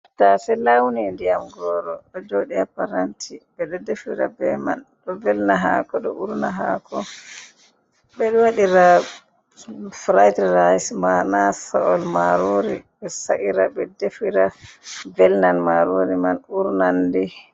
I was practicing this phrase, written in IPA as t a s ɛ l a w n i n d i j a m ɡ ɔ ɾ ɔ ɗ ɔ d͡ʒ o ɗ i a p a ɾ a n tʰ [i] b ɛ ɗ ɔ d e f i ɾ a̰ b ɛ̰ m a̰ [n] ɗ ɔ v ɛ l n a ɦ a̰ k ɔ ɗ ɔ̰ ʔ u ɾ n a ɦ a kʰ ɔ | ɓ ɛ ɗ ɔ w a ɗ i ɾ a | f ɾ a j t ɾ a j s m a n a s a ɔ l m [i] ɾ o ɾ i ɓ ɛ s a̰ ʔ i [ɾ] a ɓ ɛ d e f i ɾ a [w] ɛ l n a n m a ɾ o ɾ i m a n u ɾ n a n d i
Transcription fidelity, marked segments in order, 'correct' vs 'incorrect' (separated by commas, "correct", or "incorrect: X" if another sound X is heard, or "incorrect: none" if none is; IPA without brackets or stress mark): correct, correct, incorrect: a, correct, incorrect: v